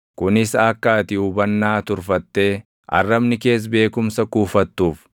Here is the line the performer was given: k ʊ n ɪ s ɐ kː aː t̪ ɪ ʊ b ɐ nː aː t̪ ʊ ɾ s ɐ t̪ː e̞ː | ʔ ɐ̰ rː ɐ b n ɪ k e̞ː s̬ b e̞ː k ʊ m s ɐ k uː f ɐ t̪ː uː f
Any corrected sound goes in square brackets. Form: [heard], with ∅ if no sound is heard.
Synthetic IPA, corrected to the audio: k ʊ n ɪ s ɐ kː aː t̪ ɪ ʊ b ɐ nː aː t̪ ʊ ɾ [f] ɐ t̪ː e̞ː | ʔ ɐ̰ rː ɐ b n ɪ k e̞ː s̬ b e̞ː k ʊ m s ɐ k uː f ɐ t̪ː uː f